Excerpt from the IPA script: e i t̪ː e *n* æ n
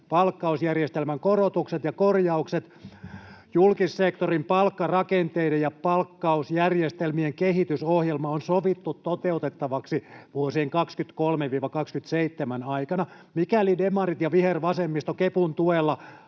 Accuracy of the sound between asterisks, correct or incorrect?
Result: incorrect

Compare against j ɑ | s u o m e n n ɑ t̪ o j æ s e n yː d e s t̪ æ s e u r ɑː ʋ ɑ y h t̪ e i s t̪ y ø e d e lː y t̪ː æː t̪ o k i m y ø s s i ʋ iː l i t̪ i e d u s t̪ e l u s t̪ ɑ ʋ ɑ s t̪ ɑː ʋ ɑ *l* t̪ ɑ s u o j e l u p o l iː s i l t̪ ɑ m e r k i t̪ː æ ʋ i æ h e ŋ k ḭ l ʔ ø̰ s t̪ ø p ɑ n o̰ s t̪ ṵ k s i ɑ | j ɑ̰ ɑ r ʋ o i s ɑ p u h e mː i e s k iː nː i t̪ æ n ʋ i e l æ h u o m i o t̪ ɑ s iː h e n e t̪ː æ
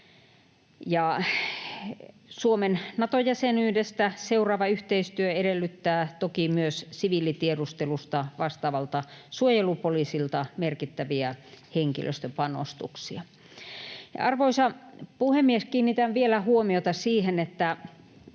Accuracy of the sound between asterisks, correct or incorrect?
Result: correct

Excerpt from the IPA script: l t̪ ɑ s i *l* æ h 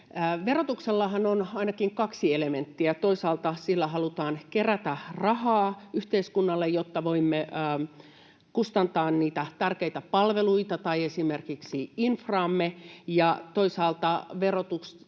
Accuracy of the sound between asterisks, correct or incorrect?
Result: incorrect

